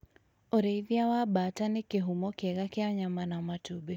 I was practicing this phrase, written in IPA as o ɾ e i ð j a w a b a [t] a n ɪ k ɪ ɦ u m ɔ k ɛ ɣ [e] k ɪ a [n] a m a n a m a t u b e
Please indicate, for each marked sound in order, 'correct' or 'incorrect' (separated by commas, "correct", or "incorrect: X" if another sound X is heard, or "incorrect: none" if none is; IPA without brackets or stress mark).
correct, incorrect: a, incorrect: ɲ